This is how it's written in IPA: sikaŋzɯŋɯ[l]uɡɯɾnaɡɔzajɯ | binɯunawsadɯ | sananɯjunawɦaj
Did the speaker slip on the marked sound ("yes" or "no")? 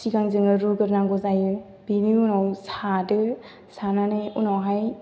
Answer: yes